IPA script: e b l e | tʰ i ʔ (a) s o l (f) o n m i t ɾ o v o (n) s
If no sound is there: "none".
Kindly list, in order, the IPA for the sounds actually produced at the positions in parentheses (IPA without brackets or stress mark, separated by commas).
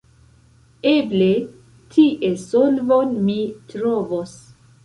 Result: e, v, none